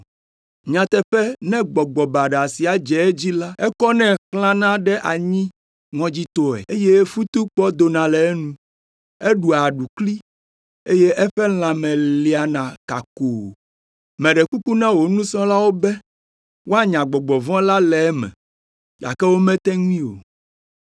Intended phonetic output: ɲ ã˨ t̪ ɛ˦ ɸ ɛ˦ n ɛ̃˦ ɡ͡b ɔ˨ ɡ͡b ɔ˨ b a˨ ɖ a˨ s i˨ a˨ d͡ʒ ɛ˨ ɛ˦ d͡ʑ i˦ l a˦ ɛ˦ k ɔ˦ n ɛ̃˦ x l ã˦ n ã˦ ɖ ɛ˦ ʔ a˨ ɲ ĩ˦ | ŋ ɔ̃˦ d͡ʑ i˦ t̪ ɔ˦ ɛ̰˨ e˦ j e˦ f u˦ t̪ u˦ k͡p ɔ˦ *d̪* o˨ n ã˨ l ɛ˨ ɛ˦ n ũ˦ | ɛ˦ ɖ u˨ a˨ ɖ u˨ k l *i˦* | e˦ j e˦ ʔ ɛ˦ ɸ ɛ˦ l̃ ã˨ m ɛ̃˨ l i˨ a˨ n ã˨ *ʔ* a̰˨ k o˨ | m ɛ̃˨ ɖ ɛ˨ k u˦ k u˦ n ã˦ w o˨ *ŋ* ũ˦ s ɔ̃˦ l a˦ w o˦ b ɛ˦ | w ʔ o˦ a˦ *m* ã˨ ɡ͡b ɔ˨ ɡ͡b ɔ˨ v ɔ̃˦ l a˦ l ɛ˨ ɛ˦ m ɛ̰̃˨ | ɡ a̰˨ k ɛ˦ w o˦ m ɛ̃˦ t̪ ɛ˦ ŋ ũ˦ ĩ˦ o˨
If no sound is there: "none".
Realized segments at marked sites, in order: d̪, i˦, k, n, ɲ

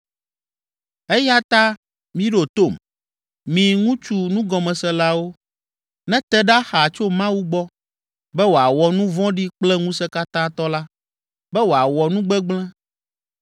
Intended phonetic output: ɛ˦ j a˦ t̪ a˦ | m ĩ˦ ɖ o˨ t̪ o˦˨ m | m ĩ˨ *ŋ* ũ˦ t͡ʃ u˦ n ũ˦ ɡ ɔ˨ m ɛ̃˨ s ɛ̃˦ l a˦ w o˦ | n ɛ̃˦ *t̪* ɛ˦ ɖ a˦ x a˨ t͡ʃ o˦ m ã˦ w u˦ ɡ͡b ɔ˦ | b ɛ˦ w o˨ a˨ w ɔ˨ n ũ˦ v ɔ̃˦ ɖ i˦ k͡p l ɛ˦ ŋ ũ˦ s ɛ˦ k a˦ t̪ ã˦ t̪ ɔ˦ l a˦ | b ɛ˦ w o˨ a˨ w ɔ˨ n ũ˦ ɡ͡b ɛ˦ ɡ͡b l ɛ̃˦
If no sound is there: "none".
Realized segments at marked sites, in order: ŋ, t̪

